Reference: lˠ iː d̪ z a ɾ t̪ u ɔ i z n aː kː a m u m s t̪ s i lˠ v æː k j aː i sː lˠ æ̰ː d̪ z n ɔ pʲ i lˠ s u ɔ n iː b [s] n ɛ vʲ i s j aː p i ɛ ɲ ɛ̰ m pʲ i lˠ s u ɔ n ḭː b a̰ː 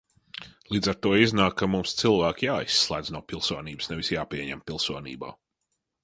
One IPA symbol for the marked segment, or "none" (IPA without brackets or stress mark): s